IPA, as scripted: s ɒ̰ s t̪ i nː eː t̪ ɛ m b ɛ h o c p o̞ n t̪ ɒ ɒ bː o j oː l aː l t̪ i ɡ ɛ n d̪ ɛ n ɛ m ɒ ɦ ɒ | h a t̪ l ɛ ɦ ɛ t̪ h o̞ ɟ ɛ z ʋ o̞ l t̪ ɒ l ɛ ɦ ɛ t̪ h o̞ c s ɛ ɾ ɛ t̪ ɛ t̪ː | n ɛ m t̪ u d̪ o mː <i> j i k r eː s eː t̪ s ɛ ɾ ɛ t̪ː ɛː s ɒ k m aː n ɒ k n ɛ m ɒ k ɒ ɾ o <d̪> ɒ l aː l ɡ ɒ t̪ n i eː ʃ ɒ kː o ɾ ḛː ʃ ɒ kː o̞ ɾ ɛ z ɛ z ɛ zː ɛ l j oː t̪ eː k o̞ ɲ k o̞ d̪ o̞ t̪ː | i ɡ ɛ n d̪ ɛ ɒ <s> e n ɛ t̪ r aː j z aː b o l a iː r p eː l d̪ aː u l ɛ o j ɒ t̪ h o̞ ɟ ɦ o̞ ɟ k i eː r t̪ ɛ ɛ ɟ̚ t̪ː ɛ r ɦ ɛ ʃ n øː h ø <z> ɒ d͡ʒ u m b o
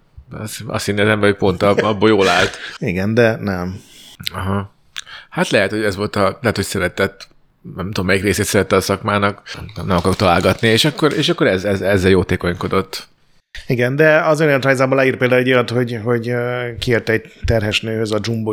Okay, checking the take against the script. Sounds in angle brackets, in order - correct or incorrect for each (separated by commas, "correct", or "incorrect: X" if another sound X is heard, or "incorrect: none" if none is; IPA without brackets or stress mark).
incorrect: ɛ, incorrect: t̪, incorrect: z, correct